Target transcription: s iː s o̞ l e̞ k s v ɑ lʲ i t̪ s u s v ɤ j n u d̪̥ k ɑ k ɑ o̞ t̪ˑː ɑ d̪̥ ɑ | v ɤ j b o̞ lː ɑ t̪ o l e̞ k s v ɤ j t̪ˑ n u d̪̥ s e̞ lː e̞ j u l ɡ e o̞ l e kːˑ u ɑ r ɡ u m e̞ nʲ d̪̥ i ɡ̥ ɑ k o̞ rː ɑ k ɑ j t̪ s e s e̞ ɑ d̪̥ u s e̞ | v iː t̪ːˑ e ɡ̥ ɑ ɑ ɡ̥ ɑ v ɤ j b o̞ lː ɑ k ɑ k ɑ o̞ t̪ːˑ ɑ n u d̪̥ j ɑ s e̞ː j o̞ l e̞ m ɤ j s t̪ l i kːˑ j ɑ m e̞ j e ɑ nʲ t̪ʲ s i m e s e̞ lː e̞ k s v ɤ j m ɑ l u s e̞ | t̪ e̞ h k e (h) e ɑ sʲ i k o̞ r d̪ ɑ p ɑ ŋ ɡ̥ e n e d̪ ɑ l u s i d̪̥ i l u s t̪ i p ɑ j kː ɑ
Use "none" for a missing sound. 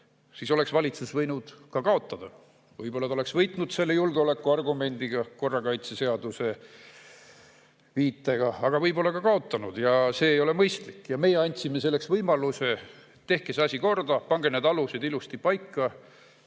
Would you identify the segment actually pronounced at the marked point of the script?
s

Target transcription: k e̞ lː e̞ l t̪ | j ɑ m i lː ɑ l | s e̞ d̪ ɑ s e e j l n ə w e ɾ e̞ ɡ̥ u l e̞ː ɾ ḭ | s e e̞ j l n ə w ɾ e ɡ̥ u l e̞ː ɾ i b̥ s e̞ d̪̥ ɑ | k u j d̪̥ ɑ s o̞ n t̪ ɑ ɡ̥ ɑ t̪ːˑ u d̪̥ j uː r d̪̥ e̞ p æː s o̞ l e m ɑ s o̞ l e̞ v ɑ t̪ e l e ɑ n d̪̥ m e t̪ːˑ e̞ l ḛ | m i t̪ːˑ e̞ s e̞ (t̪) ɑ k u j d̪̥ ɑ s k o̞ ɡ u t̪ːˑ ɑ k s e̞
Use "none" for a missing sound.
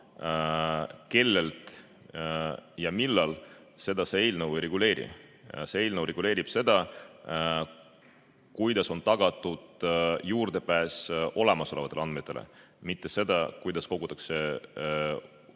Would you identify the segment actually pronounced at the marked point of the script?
d̪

